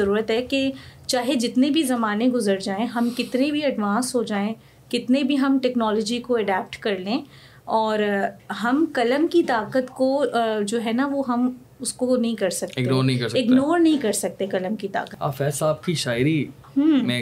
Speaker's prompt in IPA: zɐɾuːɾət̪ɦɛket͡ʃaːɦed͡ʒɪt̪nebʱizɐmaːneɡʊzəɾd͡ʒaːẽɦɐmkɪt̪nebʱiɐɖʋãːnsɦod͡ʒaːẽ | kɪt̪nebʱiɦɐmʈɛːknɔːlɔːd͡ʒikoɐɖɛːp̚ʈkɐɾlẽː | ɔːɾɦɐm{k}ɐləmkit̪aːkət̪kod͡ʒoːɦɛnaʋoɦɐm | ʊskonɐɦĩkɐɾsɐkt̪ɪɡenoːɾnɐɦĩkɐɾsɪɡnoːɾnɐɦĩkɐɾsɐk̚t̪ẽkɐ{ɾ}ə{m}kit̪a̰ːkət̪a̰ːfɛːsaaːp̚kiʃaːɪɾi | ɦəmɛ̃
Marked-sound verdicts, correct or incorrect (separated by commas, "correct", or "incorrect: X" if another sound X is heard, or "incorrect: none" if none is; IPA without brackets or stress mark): correct, incorrect: l, correct